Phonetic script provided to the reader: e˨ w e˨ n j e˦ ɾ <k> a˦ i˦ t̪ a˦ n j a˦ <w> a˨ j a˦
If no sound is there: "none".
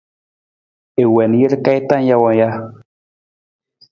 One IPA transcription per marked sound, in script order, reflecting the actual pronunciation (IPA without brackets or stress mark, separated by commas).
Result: k, w